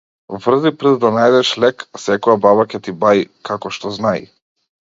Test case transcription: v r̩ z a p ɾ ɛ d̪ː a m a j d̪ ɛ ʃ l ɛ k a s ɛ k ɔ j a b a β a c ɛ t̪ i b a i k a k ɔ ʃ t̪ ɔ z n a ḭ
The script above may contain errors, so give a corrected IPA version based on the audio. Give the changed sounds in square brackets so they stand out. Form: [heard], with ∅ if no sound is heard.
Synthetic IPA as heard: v r̩ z [i] p ɾ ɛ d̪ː a [n] a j d̪ ɛ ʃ l ɛ k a s ɛ k ɔ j a b a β a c ɛ t̪ i b a i k a k ɔ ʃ t̪ ɔ z n a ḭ